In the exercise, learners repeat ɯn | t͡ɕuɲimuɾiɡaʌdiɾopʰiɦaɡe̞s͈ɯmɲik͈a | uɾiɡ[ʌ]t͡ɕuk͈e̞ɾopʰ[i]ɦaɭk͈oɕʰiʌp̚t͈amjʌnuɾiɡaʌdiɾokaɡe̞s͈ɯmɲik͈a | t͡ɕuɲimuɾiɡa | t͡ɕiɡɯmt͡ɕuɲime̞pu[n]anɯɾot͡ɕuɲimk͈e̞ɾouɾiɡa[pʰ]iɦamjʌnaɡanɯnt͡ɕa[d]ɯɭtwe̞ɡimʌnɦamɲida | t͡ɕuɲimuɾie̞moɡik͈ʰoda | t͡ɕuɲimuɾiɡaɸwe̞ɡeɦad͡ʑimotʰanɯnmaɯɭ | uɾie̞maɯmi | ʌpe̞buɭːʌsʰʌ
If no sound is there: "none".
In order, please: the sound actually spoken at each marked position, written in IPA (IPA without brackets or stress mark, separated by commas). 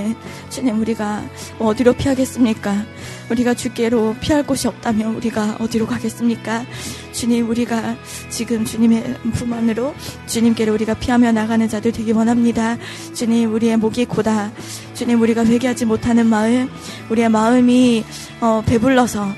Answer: a, i, m, pʰ, d